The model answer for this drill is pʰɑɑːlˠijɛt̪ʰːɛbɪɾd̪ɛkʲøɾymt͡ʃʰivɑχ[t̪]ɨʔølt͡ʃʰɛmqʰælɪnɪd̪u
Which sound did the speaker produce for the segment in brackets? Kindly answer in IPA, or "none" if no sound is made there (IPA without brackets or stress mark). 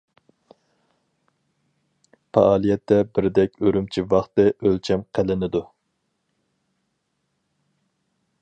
t̪